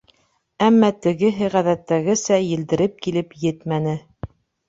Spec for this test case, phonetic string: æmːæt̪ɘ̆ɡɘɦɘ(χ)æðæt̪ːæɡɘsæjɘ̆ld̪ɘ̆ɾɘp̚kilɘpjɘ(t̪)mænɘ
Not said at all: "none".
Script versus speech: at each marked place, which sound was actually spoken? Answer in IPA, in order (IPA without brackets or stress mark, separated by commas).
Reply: ʁ, t̪